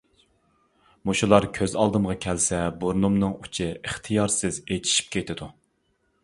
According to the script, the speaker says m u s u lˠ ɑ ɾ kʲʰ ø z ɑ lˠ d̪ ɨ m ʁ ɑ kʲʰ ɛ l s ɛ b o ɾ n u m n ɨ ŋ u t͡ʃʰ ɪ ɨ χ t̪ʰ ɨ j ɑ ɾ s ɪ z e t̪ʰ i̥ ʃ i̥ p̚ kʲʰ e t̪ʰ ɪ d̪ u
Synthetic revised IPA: m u ʃ u lˠ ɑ ɾ kʲʰ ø z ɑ lˠ d̪ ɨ m ʁ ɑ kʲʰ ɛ l s ɛ b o ɾ n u m n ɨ ŋ u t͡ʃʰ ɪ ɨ χ t̪ʰ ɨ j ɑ ɾ s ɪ z e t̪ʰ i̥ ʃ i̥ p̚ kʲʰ e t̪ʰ ɪ d̪ u